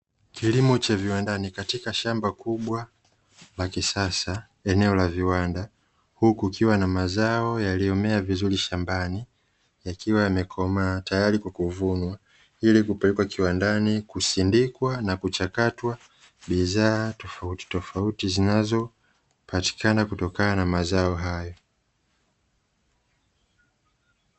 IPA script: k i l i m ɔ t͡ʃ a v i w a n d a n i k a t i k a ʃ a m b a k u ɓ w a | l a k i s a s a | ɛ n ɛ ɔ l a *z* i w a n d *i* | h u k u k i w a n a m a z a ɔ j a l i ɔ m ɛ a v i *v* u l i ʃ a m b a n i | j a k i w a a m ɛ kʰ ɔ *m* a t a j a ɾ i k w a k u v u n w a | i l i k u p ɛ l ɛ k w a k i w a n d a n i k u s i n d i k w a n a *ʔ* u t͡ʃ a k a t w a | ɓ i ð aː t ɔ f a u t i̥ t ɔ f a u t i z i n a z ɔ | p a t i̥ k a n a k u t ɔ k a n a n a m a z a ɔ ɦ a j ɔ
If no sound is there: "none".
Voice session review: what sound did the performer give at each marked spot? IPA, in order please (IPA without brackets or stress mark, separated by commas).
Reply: v, a, z, m, k